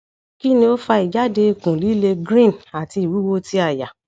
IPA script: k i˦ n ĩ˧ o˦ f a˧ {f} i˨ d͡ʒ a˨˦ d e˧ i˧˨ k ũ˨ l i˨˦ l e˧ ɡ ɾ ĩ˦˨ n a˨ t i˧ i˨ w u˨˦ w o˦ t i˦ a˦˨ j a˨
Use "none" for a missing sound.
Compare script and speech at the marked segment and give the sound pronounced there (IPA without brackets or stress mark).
none